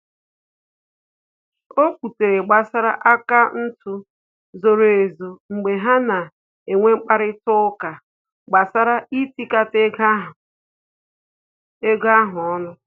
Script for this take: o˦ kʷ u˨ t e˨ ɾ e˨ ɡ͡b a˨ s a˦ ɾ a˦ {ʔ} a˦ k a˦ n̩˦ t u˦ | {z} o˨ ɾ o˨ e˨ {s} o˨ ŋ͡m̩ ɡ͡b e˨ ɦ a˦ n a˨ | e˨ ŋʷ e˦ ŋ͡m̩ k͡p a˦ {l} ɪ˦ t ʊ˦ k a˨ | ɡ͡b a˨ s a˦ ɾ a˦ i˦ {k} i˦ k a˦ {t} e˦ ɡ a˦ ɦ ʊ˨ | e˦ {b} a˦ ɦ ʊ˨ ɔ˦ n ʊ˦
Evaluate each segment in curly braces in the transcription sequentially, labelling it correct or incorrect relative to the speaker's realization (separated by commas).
correct, correct, incorrect, incorrect, incorrect, correct, incorrect